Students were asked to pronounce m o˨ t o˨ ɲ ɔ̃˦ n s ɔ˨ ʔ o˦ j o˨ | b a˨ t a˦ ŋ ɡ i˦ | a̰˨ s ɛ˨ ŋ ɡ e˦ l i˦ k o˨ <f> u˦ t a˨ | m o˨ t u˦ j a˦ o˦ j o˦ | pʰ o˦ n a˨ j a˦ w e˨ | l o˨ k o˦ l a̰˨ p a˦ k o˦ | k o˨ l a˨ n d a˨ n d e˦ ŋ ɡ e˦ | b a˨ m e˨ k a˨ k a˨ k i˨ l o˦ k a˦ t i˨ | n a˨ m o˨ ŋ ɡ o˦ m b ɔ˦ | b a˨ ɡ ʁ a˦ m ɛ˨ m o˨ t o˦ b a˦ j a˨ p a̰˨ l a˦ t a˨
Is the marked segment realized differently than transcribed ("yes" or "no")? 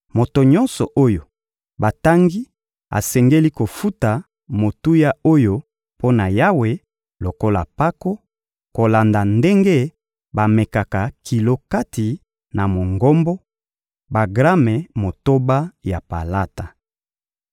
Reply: no